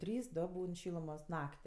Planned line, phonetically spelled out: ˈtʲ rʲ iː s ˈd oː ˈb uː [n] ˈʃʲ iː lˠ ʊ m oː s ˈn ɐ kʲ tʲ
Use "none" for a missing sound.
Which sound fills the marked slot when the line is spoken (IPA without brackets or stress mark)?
n